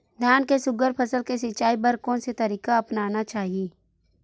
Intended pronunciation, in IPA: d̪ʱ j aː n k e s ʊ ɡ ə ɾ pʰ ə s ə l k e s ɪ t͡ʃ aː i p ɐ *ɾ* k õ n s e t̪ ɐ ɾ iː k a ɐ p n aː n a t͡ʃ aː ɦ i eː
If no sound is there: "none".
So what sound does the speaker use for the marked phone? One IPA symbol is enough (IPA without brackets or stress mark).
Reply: ɾ